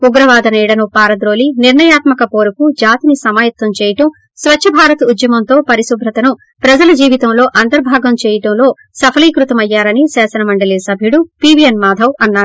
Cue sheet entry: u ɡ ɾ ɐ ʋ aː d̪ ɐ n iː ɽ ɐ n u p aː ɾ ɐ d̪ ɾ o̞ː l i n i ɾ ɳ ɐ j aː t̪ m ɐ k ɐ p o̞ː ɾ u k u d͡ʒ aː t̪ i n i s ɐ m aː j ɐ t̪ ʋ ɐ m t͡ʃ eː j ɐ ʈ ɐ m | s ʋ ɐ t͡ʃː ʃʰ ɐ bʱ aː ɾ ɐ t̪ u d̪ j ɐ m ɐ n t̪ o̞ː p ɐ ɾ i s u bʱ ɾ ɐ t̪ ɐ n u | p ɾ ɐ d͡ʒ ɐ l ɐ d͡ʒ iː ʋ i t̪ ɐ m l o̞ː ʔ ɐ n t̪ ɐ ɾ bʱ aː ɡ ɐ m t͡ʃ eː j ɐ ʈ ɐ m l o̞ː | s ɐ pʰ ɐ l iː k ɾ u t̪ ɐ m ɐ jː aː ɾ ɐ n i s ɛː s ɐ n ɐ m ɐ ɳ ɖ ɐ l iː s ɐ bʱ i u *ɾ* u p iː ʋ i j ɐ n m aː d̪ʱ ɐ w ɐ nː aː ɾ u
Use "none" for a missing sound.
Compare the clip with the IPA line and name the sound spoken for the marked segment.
ɽ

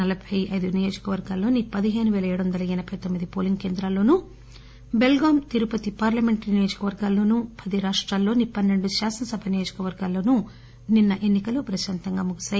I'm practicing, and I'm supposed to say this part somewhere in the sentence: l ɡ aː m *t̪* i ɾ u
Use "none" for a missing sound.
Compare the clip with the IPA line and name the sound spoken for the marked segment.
t̪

